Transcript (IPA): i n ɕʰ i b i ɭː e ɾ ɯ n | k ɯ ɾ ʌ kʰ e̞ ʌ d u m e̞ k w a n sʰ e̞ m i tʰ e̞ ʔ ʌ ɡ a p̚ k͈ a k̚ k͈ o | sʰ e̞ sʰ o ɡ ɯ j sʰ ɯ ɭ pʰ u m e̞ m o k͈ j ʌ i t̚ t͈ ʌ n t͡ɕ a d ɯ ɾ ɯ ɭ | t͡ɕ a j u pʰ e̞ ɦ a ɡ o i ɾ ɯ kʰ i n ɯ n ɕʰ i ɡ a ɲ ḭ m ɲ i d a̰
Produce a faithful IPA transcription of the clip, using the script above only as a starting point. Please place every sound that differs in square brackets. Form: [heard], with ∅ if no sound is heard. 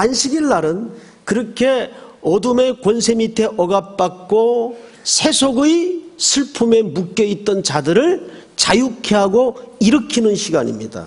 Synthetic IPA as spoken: [a] n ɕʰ i [ɡ] i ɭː [a] ɾ ɯ n | k ɯ ɾ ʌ kʰ e̞ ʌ d u m e̞ k w [ʌ] n sʰ e̞ m i tʰ e̞ ʔ ʌ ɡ a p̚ [p͈] a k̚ k͈ o | sʰ e̞ sʰ o ɡ ɯ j sʰ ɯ ɭ pʰ u m e̞ m [u] k͈ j ʌ i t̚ t͈ ʌ n t͡ɕ a d ɯ ɾ ɯ ɭ | t͡ɕ a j u [kʰ] e̞ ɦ a ɡ o i ɾ ɯ kʰ i n ɯ n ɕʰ i ɡ a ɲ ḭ m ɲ i d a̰